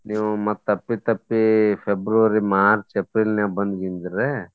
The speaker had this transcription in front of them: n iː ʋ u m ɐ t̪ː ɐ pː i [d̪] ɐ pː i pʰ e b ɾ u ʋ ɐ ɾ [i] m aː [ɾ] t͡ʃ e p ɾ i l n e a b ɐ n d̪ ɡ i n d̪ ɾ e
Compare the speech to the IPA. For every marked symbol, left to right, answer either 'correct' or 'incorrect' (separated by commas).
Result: incorrect, correct, correct